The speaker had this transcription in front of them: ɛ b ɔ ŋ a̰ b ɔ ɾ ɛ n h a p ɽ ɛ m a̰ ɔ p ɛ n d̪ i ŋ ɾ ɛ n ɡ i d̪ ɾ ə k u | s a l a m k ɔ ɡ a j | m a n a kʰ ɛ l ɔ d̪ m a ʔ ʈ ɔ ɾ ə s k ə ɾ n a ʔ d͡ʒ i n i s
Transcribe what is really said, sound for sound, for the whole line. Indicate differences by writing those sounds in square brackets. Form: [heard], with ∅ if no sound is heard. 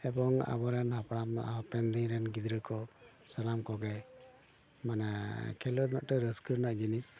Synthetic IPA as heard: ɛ b ɔ ŋ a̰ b ɔ ɾ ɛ n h a p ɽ [a] m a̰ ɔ p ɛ n d̪ i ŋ ɾ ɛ n ɡ i d̪ ɾ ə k [ɔ] | s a l a m k ɔ ɡ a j | m a n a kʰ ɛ l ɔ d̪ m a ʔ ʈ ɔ ɾ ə s k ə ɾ n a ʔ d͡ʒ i n i s